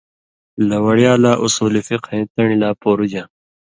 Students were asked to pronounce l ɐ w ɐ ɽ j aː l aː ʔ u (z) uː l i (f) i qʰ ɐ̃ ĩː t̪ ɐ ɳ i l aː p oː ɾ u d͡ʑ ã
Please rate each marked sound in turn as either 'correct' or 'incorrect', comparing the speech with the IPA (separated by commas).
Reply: incorrect, correct